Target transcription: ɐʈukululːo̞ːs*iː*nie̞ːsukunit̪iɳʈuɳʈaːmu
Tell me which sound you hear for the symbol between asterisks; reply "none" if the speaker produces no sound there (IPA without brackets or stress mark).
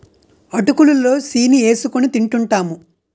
iː